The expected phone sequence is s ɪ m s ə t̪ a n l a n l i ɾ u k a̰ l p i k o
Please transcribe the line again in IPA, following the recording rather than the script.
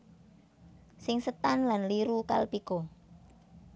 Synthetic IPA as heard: s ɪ ŋ s ə t̪ a n l a n l i ɾ u k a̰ l p i k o